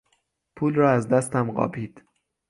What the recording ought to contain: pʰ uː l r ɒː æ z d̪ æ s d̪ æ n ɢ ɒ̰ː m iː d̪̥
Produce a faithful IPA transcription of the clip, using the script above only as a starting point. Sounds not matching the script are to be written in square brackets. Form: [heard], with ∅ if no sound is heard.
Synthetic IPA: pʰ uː l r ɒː æ z d̪ æ s [t̪] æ [m] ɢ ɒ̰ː [b] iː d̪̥